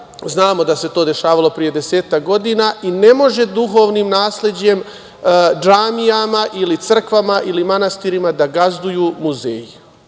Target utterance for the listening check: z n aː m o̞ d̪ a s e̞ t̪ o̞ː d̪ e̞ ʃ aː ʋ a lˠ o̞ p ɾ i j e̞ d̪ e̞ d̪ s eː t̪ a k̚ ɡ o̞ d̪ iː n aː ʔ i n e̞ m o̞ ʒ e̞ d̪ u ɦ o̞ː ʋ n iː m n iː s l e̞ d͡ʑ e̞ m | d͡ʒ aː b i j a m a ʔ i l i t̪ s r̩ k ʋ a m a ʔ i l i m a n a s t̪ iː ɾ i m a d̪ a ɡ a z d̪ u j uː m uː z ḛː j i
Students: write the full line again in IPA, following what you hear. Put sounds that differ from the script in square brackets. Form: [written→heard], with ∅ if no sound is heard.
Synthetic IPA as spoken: z n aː m o̞ d̪ a s e̞ t̪ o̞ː d̪ e̞ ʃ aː ʋ a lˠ o̞ p ɾ i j e̞ d̪ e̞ [d̪→∅] s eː t̪ a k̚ ɡ o̞ d̪ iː n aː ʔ i n e̞ m o̞ ʒ e̞ d̪ u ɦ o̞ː ʋ n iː m n [iː→aː] s l e̞ d͡ʑ e̞ m | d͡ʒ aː [b→m] i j a m a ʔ i l i t̪ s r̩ k ʋ a m a ʔ i l i m a n a s t̪ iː ɾ i m a d̪ a ɡ a z d̪ u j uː m [uː→u] z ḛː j i

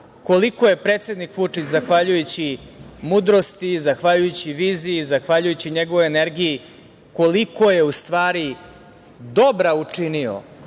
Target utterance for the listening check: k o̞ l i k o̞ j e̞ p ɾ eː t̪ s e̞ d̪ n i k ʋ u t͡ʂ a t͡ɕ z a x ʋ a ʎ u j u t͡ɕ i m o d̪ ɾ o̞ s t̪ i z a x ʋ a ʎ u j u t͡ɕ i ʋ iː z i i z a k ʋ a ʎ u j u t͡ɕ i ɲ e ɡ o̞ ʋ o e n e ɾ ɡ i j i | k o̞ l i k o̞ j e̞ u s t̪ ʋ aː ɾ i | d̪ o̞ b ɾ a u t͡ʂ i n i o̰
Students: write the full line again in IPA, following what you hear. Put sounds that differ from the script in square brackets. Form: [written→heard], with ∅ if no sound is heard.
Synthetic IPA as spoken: k o̞ l i k o̞ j e̞ p ɾ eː t̪ s e̞ d̪ n i k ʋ u t͡ʂ [a→i] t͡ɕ z a x ʋ a ʎ u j u t͡ɕ i m [o→u] d̪ ɾ o̞ s t̪ i z a x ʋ a ʎ u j u t͡ɕ i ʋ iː z i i z a [k→x] ʋ a ʎ u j u t͡ɕ i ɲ e ɡ o̞ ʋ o e n e ɾ ɡ i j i | k o̞ l i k o̞ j e̞ u s t̪ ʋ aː ɾ i | d̪ o̞ b ɾ a u t͡ʂ i n i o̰

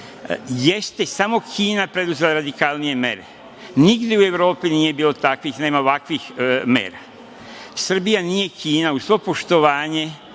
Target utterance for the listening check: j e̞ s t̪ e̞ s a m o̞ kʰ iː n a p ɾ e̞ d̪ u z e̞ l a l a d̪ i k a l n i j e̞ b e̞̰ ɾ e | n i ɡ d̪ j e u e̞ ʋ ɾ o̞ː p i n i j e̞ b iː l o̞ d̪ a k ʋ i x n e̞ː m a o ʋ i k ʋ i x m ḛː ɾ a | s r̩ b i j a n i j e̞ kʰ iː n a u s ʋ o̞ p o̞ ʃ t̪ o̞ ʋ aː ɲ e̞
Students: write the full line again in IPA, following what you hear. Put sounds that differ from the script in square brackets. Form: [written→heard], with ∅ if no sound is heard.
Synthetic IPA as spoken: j e̞ s t̪ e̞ s a m o̞ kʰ iː n a p ɾ e̞ d̪ u z e̞ l a [l→ɾ] a d̪ i k a l n i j e̞ [b→m] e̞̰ ɾ e | n i ɡ d̪ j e u e̞ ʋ ɾ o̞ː p i n i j e̞ b iː l o̞ [d̪→t̪] a k ʋ i x n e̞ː m a o ʋ [i→a] k ʋ i x m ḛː ɾ a | s r̩ b i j a n i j e̞ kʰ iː n a u s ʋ o̞ p o̞ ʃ t̪ o̞ ʋ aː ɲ e̞

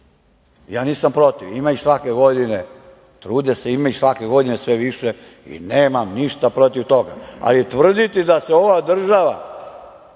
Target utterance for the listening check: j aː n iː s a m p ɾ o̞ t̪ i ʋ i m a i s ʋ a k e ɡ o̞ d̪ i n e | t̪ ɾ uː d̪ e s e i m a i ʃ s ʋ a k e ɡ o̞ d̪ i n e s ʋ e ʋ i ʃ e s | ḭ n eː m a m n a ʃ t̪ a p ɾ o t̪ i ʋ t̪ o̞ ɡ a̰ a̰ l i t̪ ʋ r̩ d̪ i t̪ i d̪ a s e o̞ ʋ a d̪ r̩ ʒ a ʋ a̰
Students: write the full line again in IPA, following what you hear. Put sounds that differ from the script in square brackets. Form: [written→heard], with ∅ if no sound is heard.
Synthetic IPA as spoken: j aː n iː s a m p ɾ o̞ t̪ i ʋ i m a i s ʋ a k e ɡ o̞ d̪ i n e | t̪ ɾ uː d̪ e s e i m a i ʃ s ʋ a k e ɡ o̞ d̪ i n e s ʋ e ʋ i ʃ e [s→∅] | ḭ n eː m a m n [a→i] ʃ t̪ a p ɾ o t̪ i ʋ t̪ o̞ ɡ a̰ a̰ l i t̪ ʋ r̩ d̪ i t̪ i d̪ a s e o̞ ʋ a d̪ r̩ ʒ a ʋ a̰

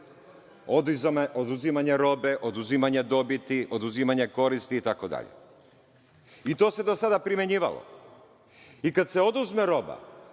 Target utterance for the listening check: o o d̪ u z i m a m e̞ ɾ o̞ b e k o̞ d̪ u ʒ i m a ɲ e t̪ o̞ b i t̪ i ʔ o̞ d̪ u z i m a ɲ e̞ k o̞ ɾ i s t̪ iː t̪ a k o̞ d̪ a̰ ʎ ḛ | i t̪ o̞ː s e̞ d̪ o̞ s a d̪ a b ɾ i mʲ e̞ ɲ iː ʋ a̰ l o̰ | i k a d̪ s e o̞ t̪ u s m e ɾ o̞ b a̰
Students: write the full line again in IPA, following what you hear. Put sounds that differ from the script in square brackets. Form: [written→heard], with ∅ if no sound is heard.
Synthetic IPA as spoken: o o d̪ u z i m a [m→ɲ] e̞ ɾ o̞ b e [k→ʔ] o̞ d̪ u [ʒ→z] i m a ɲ e [t̪→d̪] o̞ b i t̪ i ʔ o̞ d̪ u z i m a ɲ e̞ k o̞ ɾ i s t̪ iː t̪ a k o̞ d̪ a̰ ʎ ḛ | i t̪ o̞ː s e̞ d̪ o̞ s a d̪ a [b→p] ɾ i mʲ e̞ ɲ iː ʋ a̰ l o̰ | i k a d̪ s e o̞ [t̪→d̪] u [s→z] m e ɾ o̞ b a̰

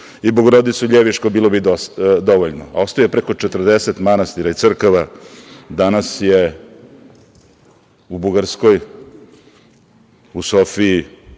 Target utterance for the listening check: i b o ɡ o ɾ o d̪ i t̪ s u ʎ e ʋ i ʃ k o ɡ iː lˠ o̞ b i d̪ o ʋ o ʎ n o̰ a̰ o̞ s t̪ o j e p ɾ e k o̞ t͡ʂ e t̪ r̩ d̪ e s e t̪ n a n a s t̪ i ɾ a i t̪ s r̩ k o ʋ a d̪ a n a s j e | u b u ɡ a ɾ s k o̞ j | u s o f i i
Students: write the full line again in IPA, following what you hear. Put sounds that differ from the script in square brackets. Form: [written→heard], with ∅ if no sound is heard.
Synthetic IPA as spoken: i b o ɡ o ɾ o d̪ i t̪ s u ʎ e ʋ i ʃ k o [ɡ→b] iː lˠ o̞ b i d̪ o ʋ o ʎ n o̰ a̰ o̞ s t̪ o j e p ɾ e k o̞ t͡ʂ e t̪ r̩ d̪ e s e t̪ [n→m] a n a s t̪ i ɾ a i t̪ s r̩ k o ʋ a d̪ a n a s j e | u b u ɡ a ɾ s k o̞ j | u s o f i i

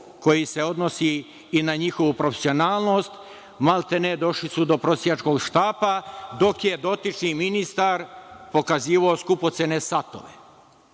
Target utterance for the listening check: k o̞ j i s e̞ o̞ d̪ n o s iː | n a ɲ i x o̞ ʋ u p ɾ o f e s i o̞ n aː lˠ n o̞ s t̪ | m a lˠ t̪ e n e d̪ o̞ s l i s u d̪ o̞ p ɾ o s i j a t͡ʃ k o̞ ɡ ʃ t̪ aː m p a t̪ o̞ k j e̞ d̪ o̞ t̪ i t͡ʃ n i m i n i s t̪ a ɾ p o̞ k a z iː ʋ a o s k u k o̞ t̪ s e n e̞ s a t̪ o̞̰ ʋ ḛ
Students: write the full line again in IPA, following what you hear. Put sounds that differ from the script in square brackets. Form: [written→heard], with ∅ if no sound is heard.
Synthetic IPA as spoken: k o̞ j i s e̞ o̞ d̪ n o s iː | n a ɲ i x o̞ ʋ u p ɾ o f e s i o̞ n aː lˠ n o̞ s t̪ | m a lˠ t̪ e n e d̪ o̞ [s→ʃ] l i s u d̪ o̞ p ɾ o s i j a t͡ʃ k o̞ ɡ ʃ t̪ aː [m→∅] p a [t̪→d̪] o̞ k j e̞ d̪ o̞ t̪ i t͡ʃ n i m i n i s t̪ a ɾ p o̞ k a z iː ʋ a o s k u [k→p] o̞ t̪ s e n e̞ s a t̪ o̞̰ ʋ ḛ

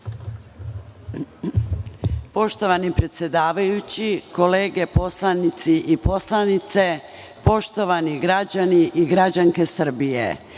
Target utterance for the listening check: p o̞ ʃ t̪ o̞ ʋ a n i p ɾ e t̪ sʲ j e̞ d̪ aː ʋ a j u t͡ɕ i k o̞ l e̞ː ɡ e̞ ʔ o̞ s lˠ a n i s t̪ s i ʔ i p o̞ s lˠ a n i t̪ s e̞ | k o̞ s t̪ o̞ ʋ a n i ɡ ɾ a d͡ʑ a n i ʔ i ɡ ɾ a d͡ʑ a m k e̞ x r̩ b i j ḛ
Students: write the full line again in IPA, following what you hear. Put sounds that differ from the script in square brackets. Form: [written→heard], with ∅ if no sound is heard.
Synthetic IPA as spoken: p o̞ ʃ t̪ o̞ ʋ a n i p ɾ e t̪ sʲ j e̞ d̪ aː ʋ a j u t͡ɕ i k o̞ l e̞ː ɡ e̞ [ʔ→p] o̞ s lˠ a n i [s→∅] t̪ s i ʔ i p o̞ s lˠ a n i t̪ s e̞ | [k→p] o̞ [s→ʃ] t̪ o̞ ʋ a n i ɡ ɾ a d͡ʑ a n i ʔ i ɡ ɾ a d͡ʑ a [m→ŋ] k e̞ [x→s] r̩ b i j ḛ

